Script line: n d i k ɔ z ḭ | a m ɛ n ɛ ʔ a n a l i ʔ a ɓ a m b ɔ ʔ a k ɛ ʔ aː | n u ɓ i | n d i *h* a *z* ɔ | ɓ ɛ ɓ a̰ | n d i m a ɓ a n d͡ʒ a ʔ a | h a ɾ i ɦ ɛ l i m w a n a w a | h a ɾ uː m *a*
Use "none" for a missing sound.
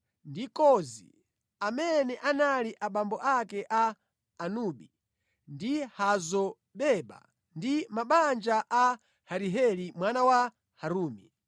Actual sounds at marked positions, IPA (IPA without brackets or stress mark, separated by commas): h, z, i